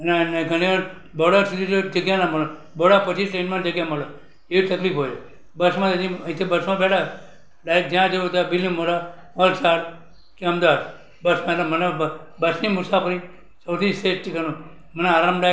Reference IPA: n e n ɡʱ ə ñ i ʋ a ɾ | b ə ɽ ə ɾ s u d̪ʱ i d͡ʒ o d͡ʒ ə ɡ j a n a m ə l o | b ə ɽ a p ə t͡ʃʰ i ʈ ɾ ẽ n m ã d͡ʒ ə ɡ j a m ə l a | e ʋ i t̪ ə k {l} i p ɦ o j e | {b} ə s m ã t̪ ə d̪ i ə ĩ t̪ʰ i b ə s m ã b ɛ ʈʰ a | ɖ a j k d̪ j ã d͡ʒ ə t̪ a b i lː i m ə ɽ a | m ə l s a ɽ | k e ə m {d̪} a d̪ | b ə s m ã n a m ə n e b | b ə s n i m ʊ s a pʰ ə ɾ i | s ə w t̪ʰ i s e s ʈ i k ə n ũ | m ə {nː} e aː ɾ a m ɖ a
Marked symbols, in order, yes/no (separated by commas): yes, yes, yes, no